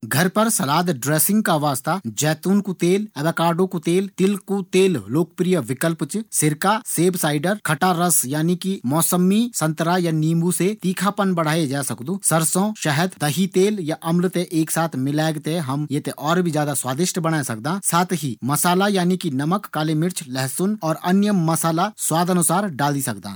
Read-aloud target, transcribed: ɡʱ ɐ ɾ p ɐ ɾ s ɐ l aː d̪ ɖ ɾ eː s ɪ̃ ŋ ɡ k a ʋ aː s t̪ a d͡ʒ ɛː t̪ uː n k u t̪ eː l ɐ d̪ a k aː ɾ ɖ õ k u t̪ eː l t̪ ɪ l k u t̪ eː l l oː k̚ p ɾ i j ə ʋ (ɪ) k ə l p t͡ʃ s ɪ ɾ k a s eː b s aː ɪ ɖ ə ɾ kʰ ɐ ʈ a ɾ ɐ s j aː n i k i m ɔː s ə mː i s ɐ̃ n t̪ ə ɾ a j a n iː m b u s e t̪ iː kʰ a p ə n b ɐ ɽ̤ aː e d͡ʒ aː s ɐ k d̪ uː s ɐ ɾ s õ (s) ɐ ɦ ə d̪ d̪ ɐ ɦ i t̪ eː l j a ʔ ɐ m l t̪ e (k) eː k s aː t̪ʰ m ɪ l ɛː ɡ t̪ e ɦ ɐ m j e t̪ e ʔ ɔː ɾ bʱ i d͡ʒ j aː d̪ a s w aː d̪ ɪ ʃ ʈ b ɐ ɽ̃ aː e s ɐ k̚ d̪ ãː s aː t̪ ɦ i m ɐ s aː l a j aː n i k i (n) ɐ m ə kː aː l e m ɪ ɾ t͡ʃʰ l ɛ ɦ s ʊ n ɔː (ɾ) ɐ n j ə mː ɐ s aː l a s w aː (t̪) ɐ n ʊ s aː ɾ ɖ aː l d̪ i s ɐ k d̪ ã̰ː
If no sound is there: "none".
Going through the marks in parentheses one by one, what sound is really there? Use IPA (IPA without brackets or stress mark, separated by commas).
ɪ, ʃ, ʔ, n, ɾ, d̪